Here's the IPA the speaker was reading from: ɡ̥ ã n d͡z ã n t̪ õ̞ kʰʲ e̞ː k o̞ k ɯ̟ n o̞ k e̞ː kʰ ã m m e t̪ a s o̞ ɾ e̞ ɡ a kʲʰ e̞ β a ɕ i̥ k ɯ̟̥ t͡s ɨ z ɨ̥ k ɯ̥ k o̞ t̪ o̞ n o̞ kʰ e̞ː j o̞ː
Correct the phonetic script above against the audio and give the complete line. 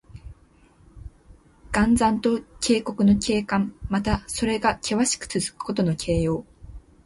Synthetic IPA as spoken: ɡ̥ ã n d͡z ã n t̪ o̞ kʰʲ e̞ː k o̞ k ɯ̟ n o̞ k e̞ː k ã m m a t̪ a s o̞ ɾ e̞ ɡ a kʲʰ e̞ β a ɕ i̥ k ɯ̟̥ t͡s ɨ z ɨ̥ k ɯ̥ k o̞ t̪ o̞ n o̞ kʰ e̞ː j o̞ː